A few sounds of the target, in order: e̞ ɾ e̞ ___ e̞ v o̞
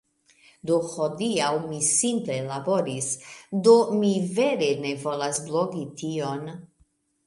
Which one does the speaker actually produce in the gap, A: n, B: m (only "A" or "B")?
A